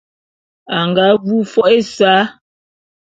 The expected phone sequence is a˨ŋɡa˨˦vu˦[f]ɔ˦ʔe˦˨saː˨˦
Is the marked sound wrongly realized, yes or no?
no